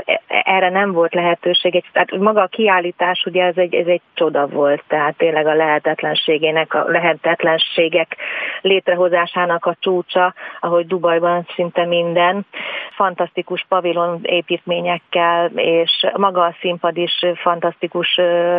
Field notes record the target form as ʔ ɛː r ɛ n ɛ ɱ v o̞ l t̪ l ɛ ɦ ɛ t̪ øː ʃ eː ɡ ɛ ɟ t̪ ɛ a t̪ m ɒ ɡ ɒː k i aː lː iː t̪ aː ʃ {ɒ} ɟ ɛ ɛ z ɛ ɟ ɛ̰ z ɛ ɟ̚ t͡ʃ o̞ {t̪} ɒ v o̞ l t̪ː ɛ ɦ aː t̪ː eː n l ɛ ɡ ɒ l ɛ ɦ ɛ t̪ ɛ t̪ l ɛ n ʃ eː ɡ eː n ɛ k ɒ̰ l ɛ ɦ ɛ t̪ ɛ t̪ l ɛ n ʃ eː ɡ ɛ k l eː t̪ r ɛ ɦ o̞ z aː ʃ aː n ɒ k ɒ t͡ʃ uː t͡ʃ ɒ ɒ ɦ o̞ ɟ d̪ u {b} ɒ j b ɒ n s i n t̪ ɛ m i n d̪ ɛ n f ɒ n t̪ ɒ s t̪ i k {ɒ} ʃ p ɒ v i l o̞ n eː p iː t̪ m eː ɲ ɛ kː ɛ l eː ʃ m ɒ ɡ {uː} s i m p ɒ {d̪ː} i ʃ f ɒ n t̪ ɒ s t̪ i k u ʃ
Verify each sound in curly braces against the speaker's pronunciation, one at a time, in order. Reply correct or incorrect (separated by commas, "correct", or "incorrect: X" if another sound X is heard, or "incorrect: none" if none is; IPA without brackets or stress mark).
incorrect: u, incorrect: d̪, correct, incorrect: u, incorrect: ɒː, incorrect: d̪